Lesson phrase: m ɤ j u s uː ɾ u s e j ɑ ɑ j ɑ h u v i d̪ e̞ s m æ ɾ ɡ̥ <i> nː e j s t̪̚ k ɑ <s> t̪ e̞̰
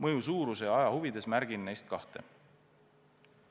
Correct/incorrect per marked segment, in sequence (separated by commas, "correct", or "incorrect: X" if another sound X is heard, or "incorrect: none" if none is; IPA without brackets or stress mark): correct, incorrect: h